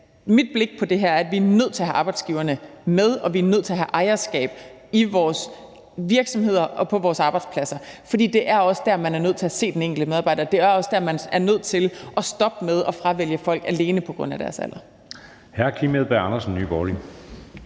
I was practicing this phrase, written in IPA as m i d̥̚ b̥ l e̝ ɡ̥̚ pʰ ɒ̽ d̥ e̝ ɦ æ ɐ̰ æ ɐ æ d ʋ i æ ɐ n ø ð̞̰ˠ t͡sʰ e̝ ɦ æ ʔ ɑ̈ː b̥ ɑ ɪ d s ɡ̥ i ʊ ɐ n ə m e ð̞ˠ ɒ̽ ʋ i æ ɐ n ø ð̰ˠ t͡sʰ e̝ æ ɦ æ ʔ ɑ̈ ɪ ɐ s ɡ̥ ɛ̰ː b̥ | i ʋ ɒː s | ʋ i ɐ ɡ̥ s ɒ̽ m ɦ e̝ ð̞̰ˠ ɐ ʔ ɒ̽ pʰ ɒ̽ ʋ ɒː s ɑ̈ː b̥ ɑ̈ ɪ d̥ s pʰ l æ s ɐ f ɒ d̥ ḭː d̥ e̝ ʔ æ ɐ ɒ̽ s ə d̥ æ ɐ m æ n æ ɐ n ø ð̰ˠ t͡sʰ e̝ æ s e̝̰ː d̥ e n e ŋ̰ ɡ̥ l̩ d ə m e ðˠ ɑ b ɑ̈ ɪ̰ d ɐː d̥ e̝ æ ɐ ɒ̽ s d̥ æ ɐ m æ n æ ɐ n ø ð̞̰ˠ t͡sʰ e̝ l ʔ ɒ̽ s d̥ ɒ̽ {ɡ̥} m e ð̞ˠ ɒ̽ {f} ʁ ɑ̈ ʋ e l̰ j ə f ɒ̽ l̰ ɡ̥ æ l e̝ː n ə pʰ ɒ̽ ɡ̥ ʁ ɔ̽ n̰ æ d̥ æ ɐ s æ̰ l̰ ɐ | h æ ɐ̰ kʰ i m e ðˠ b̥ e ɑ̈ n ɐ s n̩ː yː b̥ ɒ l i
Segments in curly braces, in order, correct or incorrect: incorrect: b̥, correct

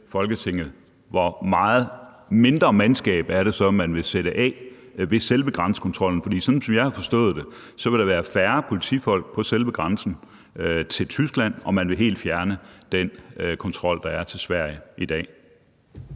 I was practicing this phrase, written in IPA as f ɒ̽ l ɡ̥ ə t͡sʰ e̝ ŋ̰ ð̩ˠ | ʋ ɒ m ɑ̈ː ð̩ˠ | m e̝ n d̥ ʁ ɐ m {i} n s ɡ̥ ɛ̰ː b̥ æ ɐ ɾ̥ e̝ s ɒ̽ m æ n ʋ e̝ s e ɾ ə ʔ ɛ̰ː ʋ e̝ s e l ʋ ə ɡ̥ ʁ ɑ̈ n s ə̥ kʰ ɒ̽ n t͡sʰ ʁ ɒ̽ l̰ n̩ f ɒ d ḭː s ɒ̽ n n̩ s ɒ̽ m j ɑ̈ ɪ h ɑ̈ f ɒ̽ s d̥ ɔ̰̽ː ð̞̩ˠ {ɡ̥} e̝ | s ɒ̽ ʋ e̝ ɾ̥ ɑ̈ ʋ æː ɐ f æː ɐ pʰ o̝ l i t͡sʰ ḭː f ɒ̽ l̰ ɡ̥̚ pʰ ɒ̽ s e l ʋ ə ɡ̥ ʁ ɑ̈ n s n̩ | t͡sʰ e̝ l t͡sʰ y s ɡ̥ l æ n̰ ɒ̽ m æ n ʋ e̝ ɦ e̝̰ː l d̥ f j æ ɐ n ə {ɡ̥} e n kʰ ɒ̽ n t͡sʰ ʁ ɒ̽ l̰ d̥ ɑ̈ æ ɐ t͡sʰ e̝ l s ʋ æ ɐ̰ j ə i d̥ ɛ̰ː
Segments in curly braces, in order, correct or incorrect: incorrect: æ, incorrect: d̥, incorrect: d̥

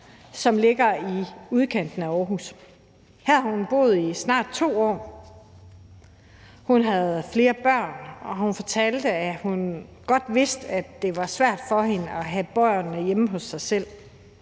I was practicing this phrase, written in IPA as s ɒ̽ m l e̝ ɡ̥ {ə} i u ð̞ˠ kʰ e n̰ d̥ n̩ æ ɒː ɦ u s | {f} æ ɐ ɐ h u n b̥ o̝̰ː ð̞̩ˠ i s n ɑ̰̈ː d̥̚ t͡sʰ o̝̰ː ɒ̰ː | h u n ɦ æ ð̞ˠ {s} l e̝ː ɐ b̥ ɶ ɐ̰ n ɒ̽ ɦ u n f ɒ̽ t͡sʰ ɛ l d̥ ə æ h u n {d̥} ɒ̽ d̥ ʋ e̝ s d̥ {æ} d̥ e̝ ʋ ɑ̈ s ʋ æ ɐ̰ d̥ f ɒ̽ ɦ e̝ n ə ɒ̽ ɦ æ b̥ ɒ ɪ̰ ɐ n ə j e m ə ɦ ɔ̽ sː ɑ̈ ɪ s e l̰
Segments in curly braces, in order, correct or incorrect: incorrect: ɐ, incorrect: h, incorrect: f, incorrect: ɡ̥, correct

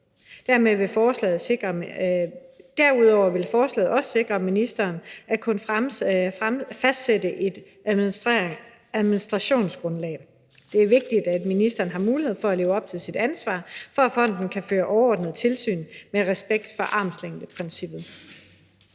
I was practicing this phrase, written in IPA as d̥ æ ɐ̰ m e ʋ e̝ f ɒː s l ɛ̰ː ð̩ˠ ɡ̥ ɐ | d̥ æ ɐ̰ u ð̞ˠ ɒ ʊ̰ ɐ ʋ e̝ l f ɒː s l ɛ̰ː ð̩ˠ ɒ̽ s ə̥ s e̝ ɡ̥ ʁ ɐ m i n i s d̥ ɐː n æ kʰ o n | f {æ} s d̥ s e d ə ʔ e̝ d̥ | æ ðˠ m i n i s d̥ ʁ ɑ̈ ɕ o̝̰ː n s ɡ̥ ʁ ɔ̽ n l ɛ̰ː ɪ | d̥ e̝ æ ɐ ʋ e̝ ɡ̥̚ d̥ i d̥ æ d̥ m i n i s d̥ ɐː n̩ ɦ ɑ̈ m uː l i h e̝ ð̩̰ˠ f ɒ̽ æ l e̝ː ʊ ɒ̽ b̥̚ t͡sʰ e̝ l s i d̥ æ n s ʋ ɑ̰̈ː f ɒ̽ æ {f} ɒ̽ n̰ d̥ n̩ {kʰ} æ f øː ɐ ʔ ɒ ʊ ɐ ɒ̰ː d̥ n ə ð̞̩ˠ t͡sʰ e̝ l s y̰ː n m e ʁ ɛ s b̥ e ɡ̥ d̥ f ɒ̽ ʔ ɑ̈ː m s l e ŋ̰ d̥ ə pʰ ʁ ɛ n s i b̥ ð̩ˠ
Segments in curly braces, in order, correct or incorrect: correct, correct, correct

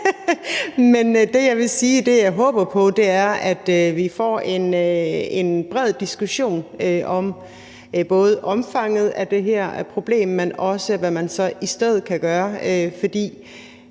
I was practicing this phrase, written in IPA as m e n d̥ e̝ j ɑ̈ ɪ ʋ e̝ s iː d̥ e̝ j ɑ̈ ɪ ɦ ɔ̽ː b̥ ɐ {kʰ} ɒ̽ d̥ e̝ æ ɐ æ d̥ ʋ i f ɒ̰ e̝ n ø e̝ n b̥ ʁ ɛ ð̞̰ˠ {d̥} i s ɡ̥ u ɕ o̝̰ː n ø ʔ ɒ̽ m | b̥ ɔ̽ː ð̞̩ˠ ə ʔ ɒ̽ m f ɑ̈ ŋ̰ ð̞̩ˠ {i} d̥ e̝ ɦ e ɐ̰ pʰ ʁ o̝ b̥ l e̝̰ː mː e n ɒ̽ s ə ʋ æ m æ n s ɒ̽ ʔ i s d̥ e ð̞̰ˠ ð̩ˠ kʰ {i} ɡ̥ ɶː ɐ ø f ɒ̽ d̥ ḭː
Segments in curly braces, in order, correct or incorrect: incorrect: pʰ, correct, incorrect: æ, incorrect: æ

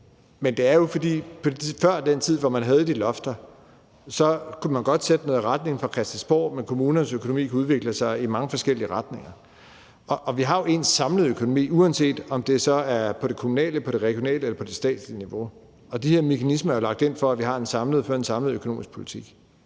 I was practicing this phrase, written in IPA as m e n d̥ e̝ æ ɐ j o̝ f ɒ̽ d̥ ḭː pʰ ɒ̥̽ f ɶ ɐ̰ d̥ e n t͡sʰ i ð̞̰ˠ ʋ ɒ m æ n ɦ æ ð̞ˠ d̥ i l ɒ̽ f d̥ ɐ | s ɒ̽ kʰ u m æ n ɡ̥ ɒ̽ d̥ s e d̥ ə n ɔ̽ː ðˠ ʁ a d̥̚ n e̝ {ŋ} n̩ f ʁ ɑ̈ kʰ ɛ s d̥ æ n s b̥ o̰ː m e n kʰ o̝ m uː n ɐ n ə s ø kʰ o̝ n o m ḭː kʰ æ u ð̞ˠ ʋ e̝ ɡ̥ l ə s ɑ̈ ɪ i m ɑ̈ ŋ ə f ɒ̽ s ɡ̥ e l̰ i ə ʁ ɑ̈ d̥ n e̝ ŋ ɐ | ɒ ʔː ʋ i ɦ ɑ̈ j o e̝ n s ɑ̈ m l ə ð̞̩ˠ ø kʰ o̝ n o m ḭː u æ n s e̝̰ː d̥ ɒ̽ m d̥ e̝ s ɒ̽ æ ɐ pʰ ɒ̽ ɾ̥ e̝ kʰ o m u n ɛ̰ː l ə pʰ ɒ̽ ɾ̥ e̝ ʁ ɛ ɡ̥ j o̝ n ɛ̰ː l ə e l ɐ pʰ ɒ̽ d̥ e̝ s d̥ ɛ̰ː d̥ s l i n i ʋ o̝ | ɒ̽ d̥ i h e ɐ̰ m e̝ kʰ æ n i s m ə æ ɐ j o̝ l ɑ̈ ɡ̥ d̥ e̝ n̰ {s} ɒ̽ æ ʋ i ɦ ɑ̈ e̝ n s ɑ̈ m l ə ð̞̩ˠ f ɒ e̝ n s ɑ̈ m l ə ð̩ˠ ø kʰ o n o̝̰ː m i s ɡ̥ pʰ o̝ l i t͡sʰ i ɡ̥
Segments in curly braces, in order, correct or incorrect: correct, incorrect: f

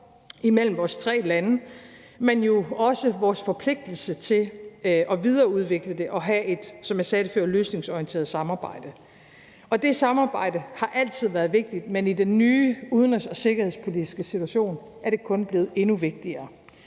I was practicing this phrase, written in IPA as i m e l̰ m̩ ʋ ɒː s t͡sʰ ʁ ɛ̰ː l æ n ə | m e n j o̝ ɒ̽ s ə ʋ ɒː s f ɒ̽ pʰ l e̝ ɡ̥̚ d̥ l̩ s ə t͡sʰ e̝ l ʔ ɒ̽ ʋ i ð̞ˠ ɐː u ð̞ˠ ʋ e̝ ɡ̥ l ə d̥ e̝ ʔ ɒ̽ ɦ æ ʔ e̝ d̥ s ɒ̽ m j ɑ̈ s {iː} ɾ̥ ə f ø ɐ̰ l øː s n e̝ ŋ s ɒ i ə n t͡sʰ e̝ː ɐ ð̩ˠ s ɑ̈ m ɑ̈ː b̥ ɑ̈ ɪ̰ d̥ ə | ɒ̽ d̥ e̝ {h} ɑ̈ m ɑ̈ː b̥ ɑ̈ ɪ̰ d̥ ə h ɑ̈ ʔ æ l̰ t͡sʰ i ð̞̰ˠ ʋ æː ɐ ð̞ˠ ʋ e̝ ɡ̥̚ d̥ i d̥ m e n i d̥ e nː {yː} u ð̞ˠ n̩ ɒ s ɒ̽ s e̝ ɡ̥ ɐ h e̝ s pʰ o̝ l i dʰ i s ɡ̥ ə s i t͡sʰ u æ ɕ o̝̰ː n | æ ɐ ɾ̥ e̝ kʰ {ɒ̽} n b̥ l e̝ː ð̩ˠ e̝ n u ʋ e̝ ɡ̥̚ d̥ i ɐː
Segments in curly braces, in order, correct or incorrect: incorrect: ɛː, incorrect: s, correct, incorrect: ɔ̽

